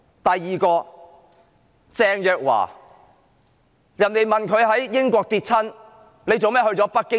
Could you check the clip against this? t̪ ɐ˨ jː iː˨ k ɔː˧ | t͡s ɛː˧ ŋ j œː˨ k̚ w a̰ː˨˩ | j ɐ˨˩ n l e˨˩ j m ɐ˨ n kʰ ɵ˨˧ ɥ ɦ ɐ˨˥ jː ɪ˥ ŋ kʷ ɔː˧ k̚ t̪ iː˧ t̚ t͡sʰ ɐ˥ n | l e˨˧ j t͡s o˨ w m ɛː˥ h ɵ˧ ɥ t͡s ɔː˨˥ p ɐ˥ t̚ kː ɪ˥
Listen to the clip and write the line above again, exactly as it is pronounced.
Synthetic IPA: t̪ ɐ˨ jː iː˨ k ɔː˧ | t͡s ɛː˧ ŋ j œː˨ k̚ w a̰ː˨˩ | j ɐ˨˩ n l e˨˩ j m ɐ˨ n kʰ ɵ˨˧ ɥ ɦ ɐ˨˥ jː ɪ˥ ŋ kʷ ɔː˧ k̚ t̪ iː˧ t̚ t͡sʰ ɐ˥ n | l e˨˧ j t͡s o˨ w m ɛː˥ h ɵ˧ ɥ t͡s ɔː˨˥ p ɐ˥ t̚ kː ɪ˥